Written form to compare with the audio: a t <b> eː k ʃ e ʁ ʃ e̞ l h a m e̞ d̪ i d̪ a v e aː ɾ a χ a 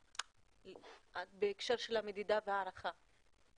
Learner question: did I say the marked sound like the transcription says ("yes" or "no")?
yes